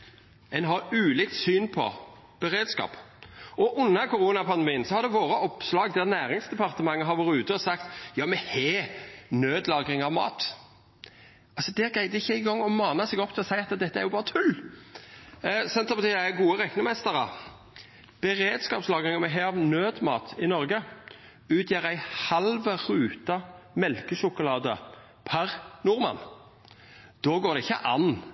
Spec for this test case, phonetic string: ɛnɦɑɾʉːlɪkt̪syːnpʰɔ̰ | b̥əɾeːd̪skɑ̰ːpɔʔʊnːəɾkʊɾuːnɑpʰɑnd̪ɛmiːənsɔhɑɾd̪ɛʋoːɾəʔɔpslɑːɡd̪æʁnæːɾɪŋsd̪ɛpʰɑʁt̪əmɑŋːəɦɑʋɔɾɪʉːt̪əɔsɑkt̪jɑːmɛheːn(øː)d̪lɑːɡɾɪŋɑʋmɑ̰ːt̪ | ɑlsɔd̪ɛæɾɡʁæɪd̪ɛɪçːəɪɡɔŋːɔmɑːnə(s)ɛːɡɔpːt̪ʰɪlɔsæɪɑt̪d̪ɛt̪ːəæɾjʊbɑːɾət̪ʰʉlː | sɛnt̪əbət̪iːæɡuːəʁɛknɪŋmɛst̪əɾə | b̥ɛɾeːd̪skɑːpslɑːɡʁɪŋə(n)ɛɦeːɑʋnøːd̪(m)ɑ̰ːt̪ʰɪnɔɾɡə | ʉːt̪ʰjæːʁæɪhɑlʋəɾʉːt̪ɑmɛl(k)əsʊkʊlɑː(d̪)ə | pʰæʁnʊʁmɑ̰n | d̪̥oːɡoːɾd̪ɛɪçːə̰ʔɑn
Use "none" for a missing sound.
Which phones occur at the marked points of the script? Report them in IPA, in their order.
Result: øː, s, m, m, k, d̪

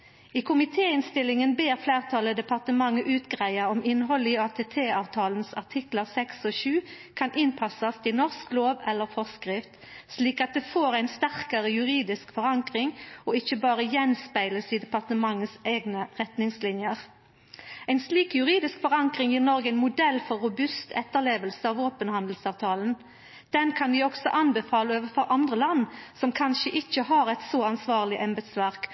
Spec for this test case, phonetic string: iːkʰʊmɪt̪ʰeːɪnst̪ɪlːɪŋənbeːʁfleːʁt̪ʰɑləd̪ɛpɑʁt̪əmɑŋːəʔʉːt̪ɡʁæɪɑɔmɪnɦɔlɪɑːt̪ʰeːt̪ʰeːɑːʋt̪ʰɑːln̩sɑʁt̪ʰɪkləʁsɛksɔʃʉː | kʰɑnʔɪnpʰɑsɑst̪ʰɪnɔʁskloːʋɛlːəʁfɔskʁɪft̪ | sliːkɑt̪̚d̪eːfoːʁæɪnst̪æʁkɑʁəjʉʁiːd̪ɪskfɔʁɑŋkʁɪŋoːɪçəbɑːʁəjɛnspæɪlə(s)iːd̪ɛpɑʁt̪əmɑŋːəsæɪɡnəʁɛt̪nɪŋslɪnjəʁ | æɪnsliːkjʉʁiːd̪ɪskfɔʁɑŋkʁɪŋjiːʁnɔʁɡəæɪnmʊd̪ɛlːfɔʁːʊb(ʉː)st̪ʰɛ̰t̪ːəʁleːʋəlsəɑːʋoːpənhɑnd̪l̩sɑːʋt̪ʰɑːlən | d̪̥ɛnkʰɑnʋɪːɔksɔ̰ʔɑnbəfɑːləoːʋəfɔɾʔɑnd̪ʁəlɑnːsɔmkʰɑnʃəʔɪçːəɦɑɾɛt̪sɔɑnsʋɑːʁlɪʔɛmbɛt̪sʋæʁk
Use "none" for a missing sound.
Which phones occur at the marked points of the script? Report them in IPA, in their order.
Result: s, ʉ

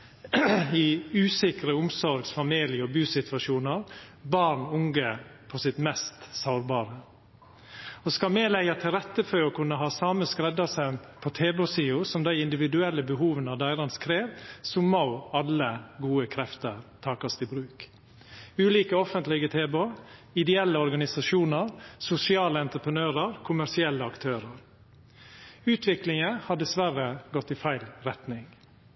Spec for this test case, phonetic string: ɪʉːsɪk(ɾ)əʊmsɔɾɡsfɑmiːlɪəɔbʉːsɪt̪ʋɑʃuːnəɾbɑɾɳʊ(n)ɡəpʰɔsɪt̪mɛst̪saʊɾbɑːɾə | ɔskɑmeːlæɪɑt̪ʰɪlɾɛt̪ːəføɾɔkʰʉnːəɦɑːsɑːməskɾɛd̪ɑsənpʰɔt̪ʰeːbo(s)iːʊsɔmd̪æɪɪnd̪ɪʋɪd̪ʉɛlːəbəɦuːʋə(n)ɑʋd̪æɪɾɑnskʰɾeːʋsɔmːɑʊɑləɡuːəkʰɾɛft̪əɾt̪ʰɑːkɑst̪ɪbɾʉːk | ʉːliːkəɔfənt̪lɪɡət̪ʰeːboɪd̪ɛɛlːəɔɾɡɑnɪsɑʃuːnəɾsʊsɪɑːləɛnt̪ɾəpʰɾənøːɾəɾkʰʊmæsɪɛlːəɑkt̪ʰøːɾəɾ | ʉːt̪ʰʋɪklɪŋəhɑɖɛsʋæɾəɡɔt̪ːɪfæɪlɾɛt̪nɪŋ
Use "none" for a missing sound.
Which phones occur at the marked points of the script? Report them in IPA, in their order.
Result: ɾ, ŋ, s, n

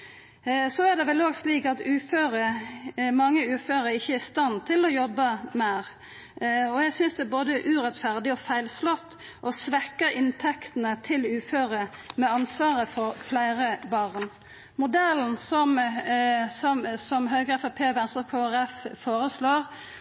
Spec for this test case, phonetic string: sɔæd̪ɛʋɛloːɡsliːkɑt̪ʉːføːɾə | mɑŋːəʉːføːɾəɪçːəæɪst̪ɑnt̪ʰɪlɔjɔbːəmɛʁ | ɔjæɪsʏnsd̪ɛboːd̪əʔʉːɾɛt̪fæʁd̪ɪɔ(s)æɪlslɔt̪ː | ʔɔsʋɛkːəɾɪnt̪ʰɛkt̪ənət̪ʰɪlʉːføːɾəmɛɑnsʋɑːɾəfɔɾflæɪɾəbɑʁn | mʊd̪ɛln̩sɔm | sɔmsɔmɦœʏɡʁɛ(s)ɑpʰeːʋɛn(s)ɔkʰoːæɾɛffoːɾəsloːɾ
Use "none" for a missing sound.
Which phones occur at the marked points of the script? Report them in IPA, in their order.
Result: f, f, s

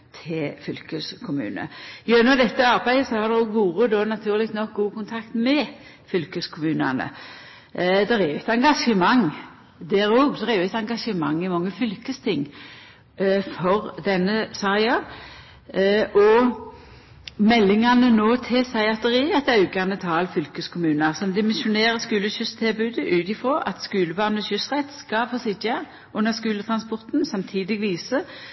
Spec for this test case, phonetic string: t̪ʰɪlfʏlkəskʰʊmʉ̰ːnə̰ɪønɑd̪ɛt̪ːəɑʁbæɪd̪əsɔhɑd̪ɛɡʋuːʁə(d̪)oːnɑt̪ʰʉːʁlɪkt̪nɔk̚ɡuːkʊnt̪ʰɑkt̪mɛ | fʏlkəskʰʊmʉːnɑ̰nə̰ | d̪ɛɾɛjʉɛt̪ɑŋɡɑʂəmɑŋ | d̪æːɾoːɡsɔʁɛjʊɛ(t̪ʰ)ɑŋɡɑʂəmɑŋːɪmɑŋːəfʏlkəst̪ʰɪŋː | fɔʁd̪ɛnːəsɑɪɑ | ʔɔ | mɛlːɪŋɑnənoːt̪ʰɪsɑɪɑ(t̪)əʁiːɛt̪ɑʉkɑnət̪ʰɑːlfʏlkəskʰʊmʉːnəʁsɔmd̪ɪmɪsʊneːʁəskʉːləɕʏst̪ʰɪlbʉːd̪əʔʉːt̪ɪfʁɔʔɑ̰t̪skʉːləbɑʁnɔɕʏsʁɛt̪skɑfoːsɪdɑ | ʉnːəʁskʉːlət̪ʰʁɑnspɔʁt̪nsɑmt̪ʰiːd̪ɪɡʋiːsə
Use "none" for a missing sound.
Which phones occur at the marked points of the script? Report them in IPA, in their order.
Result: d̪, t̪, t̪

